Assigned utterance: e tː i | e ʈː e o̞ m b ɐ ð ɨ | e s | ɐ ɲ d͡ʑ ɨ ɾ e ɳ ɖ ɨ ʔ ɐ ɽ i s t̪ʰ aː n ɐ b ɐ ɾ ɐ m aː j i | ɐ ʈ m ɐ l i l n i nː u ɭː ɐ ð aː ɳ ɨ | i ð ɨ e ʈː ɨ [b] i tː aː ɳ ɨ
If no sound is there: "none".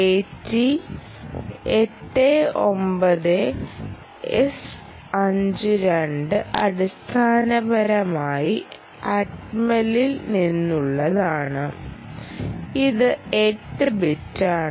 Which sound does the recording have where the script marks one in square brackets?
b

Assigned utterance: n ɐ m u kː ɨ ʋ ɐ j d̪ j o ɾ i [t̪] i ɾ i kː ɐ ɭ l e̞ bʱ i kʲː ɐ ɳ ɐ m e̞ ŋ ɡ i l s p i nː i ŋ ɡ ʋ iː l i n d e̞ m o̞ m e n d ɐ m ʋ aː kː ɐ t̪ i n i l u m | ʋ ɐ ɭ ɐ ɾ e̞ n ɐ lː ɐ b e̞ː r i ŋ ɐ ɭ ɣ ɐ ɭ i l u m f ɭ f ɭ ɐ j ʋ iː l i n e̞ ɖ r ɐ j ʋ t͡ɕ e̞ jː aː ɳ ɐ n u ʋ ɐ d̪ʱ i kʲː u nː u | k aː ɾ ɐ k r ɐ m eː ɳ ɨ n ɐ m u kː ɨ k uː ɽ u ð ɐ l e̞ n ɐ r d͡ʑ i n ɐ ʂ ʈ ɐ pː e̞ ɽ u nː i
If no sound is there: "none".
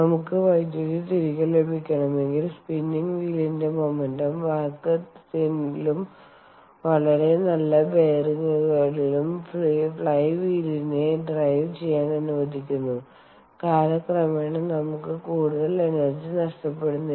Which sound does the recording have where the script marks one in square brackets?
t̪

